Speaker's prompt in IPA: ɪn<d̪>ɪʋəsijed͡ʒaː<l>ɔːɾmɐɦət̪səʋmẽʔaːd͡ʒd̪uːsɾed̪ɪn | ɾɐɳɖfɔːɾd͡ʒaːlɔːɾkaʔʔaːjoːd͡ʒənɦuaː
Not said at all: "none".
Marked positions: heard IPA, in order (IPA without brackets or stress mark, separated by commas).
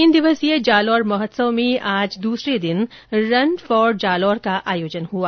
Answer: d̪, l